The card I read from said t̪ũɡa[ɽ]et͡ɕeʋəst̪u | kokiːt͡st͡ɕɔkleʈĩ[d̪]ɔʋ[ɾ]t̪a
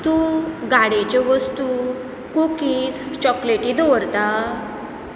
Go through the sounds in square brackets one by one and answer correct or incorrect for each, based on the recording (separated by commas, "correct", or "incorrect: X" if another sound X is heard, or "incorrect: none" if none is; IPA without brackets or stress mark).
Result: correct, correct, correct